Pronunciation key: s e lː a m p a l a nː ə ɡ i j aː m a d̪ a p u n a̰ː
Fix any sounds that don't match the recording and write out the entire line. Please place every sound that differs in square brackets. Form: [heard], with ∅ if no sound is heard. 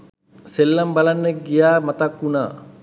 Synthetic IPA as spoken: s e lː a m [b] a l a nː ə ɡ i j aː m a [t̪] a [k] u n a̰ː